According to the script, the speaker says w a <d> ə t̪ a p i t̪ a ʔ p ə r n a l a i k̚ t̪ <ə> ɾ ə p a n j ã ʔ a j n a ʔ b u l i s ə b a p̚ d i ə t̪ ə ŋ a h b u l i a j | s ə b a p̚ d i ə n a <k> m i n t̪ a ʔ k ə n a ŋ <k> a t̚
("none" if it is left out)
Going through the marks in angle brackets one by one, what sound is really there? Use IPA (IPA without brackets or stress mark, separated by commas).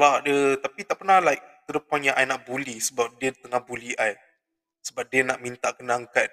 d, ə, ʔ, k